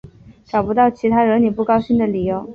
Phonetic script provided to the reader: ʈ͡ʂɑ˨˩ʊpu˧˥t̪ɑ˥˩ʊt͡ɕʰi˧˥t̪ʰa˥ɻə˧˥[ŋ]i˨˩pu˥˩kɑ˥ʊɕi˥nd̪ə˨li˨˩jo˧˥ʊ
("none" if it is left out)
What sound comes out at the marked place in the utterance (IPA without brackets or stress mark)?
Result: n